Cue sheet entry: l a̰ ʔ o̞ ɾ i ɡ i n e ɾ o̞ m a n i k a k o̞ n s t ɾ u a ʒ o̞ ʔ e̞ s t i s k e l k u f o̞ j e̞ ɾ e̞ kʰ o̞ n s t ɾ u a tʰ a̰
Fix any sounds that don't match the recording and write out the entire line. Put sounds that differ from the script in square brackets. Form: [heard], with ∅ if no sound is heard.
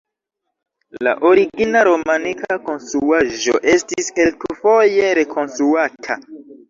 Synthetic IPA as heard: l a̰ ʔ o̞ ɾ i ɡ i n [a] ɾ o̞ m a n i k a k o̞ n s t ɾ u a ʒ o̞ ʔ e̞ s t i s k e l k u f o̞ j e̞ ɾ e̞ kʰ o̞ n s t ɾ u a tʰ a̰